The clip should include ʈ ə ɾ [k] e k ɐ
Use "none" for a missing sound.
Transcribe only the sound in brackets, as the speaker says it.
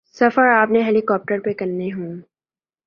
p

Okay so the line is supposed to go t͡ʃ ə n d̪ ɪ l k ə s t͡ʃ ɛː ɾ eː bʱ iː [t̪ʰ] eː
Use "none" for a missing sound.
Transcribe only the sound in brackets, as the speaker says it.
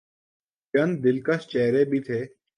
t̪ʰ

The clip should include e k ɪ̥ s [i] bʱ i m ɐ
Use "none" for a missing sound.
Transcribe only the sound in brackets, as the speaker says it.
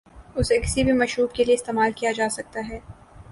i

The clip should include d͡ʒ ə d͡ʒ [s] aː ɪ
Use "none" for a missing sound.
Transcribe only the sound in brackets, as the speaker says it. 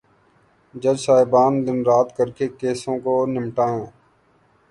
s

